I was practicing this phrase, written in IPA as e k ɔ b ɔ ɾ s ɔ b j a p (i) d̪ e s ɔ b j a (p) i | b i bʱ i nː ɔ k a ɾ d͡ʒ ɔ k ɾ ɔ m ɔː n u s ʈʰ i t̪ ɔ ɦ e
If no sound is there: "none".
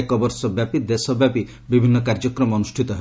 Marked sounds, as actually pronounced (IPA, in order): i, p

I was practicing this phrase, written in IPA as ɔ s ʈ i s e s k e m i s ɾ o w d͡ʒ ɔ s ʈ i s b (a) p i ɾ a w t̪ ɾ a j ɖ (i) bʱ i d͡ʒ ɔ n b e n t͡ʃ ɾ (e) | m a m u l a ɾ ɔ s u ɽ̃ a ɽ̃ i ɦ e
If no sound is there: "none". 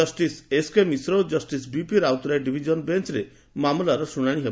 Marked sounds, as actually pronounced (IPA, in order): i, i, e

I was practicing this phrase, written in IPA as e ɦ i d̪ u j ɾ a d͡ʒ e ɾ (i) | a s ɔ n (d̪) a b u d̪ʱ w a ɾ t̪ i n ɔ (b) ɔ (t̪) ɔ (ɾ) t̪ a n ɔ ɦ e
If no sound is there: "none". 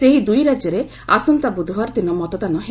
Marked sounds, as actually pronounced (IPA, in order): e, t̪, m, t̪, none

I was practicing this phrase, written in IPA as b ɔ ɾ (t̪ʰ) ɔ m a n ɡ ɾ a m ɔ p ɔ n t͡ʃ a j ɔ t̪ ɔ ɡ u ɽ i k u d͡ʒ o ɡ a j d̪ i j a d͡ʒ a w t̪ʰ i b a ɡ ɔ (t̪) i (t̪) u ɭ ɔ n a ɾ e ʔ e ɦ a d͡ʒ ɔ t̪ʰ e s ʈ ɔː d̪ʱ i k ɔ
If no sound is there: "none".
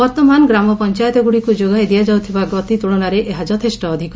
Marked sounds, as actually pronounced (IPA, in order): t̪, t̪, t̪

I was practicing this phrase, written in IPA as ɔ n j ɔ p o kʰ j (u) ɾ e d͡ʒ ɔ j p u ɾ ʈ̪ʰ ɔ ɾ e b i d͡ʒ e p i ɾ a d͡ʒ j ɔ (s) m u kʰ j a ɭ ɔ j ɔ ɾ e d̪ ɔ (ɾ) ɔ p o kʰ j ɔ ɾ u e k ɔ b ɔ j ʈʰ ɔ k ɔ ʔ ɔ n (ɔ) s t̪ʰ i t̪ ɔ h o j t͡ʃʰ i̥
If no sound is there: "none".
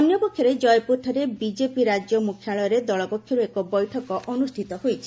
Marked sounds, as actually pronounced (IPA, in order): ɔ, none, ɭ, u

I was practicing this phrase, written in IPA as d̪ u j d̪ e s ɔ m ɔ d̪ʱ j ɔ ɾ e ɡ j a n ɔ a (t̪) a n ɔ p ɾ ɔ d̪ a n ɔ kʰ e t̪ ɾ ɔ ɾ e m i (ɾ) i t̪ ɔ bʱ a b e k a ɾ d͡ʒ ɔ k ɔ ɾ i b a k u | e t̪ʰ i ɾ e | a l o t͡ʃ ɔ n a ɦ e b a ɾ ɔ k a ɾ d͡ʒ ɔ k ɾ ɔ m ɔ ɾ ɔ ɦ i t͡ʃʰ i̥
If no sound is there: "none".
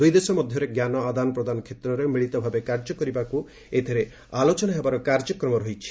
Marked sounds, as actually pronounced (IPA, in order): d̪, ɭ

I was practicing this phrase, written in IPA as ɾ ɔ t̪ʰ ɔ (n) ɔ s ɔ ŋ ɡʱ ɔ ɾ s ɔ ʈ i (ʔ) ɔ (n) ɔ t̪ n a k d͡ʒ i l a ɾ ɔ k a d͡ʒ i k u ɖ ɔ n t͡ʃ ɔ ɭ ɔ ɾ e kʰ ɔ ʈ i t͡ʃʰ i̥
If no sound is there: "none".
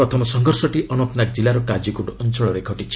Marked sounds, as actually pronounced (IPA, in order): m, ʔ, n

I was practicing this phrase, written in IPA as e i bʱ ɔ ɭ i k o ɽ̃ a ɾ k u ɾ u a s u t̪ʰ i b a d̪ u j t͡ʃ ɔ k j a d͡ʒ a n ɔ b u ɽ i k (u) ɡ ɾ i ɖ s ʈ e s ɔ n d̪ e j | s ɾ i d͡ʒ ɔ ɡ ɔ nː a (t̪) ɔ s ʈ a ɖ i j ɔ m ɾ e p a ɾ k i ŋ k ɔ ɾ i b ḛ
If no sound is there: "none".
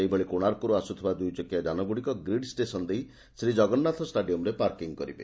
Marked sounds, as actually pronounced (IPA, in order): ɔ, t̪ʰ

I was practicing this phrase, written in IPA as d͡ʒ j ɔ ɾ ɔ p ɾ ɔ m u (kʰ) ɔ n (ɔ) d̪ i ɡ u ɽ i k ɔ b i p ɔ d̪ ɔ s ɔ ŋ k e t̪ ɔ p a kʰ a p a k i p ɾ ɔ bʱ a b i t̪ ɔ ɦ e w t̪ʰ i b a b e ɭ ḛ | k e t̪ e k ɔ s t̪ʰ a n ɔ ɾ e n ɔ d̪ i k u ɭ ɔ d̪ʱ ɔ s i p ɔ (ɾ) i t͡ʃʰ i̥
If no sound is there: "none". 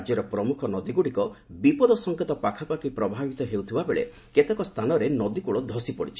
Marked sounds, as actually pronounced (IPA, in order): kʰ, ɔ, ɽ

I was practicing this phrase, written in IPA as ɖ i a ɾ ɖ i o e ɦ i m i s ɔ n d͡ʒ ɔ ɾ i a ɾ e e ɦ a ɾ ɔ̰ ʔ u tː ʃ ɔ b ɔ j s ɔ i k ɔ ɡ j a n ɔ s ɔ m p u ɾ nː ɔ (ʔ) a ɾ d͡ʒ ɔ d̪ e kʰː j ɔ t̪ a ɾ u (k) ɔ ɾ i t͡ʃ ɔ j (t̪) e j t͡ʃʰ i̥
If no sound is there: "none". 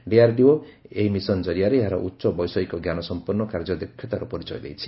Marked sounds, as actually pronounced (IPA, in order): k, p, d̪

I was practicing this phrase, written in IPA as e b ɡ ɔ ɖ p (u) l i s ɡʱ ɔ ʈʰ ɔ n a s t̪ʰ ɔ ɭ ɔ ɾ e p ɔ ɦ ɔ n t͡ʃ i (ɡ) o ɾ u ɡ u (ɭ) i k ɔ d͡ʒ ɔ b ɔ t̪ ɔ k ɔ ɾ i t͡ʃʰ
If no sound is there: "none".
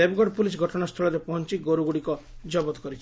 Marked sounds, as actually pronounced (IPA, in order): u, ɡ, ɽ

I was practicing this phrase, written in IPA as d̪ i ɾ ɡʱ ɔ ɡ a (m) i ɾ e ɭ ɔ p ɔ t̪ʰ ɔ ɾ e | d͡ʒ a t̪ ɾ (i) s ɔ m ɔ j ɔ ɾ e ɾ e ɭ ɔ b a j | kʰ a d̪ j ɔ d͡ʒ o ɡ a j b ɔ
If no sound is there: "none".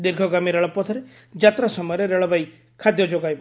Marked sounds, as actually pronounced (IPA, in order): m, a

